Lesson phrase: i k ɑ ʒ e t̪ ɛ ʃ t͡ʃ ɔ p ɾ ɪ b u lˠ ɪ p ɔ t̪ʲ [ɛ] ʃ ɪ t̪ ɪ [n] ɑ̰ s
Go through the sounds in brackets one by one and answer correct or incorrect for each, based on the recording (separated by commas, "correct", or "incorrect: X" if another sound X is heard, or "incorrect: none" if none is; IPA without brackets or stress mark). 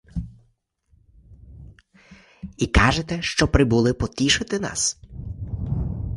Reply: incorrect: i, correct